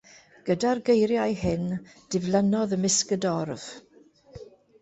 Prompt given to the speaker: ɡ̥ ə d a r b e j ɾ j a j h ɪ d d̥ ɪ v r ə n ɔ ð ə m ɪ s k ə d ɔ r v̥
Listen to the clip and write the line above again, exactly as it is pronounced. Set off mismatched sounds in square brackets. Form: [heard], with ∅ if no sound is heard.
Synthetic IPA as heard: ɡ̥ ə d a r [ɡ] e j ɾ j a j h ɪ [n] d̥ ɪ v [l] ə n ɔ ð ə m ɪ s k ə d ɔ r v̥